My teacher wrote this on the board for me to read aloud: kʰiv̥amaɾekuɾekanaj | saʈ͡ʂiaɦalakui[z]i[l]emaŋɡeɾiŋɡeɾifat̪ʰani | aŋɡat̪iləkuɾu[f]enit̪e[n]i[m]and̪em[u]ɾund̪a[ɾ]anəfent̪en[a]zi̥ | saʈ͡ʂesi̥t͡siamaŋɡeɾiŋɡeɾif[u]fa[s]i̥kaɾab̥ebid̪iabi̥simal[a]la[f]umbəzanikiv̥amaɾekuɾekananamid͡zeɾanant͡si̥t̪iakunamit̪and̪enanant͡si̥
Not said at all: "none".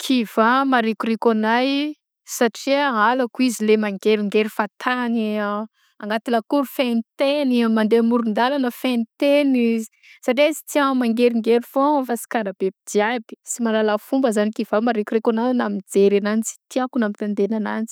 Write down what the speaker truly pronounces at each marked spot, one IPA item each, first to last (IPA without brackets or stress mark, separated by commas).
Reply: z, l, f, n, m, u, l, i, o, s, a, f